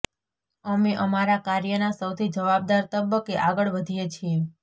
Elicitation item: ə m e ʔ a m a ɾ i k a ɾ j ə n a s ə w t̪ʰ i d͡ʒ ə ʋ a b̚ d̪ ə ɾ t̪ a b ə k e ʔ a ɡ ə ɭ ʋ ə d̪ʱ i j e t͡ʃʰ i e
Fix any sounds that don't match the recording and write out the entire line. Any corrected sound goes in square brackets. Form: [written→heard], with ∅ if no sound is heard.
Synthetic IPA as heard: ə m e ʔ [a→ə] m a ɾ [i→a] k a ɾ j ə n a s ə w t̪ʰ i d͡ʒ ə ʋ a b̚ d̪ [ə→a] ɾ t̪ [a→ə] b ə k e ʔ a ɡ ə ɭ ʋ ə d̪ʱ i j e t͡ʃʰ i e

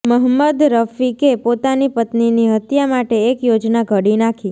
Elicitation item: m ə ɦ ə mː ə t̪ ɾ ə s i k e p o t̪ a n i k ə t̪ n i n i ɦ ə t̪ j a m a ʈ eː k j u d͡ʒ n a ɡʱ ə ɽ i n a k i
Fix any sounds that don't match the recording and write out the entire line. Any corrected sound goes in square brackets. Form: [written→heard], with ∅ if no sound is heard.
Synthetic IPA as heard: m ə ɦ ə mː ə [t̪→d̪] ɾ ə [s→f] i k e p o t̪ a n i [k→p] ə t̪ n i n i ɦ ə t̪ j a m a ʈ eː k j [u→o] d͡ʒ n a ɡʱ ə ɽ i n a [k→kʰ] i

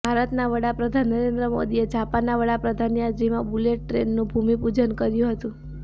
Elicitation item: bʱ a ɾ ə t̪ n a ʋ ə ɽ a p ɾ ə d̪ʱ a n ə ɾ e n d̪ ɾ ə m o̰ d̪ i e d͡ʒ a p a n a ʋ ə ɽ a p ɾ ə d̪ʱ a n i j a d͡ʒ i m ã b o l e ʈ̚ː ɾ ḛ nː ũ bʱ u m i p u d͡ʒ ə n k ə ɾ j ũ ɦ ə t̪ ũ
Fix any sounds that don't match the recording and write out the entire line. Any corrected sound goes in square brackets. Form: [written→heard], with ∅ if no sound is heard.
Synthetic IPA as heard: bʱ a ɾ ə t̪ n a ʋ ə ɽ a p ɾ ə d̪ʱ a n ə ɾ e n d̪ ɾ ə m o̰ d̪ i e d͡ʒ a p a n a ʋ ə ɽ a p ɾ ə d̪ʱ a n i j a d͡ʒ i m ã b [o→u] l e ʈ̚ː ɾ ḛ nː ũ bʱ u m i p u d͡ʒ ə n k ə ɾ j ũ ɦ ə t̪ ũ

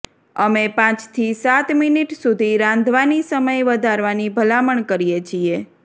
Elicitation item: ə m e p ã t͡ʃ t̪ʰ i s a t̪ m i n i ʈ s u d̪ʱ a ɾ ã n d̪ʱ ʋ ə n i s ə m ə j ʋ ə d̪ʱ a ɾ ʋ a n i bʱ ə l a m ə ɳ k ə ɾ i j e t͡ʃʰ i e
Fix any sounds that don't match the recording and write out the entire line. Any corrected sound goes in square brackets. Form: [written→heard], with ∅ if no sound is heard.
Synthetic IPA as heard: ə m e p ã t͡ʃ t̪ʰ i s a t̪ m i n i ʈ s u d̪ʱ [a→i] ɾ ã n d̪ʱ ʋ [ə→a] n i s ə m ə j ʋ ə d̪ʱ a ɾ ʋ a n i bʱ ə l a m ə ɳ k ə ɾ i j e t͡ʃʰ i e

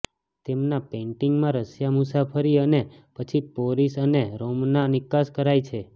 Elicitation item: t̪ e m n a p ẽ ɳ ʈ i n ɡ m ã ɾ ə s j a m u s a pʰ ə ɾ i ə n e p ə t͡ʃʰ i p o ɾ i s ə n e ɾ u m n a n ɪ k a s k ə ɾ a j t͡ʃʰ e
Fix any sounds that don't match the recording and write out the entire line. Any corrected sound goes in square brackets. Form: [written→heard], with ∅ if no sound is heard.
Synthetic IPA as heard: t̪ e m n a p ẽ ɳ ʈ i [n→ŋ] ɡ m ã ɾ ə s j a m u s a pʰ ə ɾ i ə n e p ə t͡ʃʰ i p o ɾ i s ə n e ɾ [u→o] m n a n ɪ k a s k ə ɾ a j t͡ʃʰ e

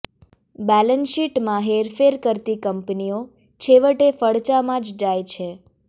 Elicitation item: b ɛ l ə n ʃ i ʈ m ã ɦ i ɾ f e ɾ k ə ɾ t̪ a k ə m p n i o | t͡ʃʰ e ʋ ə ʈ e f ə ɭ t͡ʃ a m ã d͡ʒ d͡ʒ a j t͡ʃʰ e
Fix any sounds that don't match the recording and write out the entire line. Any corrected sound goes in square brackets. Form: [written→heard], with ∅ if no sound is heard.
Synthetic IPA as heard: b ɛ l ə n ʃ i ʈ m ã ɦ [i→e] ɾ f e ɾ k ə ɾ t̪ [a→i] k ə m p n i o | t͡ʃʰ e ʋ ə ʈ e f ə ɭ t͡ʃ a m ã d͡ʒ d͡ʒ a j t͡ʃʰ e

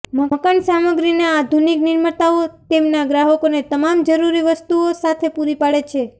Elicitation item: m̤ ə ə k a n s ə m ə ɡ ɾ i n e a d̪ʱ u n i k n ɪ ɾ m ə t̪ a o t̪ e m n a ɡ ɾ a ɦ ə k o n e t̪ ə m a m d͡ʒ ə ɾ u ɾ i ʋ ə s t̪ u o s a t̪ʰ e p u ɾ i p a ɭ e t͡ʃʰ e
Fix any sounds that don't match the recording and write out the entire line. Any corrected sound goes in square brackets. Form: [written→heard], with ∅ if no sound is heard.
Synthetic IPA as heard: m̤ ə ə k a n s [ə→a] m ə ɡ ɾ i n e a d̪ʱ u n i k n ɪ ɾ m ə t̪ a o t̪ e m n a ɡ ɾ a ɦ ə k o n e t̪ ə m a m d͡ʒ ə ɾ u ɾ i ʋ ə s t̪ u o s a t̪ʰ e p u ɾ i p a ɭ e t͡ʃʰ e

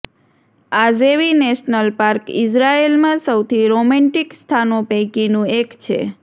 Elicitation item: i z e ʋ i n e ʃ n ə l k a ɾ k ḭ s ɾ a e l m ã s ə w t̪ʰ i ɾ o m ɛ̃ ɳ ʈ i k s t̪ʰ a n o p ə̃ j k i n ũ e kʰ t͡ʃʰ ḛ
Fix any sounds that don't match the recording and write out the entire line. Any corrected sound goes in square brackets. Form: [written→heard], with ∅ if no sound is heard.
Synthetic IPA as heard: [i→a] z e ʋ i n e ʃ n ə l [k→p] a ɾ k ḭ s ɾ a e l m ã s ə w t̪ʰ i ɾ o m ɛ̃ ɳ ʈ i k s t̪ʰ a n o p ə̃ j k i n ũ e [kʰ→k] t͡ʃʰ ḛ

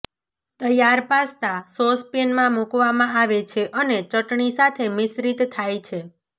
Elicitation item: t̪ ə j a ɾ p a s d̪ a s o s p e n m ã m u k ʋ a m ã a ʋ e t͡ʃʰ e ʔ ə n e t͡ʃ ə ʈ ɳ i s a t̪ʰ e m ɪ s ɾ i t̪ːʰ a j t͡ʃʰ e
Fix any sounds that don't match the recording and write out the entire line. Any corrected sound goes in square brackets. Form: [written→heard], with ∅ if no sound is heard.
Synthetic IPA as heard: t̪ ə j a ɾ p a s [d̪→t̪] a s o s p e n m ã m u k ʋ a m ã a ʋ e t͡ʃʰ e ʔ ə n e t͡ʃ ə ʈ ɳ i s a t̪ʰ e m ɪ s ɾ i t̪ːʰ a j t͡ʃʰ e

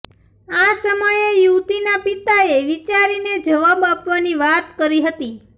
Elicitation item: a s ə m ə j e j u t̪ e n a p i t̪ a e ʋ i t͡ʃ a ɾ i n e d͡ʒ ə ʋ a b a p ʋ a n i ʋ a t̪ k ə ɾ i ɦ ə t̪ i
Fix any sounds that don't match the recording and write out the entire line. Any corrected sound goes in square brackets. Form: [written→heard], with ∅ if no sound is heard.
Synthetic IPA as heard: a s ə m ə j e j u t̪ [e→i] n a p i t̪ a e ʋ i t͡ʃ a ɾ i n e d͡ʒ ə ʋ a b a p ʋ a n i ʋ a t̪ k ə ɾ i ɦ ə t̪ i

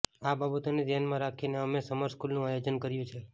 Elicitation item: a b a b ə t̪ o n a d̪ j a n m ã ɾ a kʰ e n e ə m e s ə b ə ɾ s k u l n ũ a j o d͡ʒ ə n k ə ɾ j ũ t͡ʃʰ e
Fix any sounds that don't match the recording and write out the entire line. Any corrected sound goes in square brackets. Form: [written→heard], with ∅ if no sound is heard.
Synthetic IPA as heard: a b a b ə t̪ o n [a→e] d̪ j a n m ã ɾ a kʰ [e→i] n e ə m e s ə [b→m] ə ɾ s k u l n ũ a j o d͡ʒ ə n k ə ɾ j ũ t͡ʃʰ e

